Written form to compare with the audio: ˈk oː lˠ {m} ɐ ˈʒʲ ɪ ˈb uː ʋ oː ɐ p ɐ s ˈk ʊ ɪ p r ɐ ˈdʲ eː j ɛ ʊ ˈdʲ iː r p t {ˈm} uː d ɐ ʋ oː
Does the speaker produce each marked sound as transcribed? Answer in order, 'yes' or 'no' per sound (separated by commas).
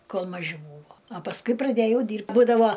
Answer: yes, no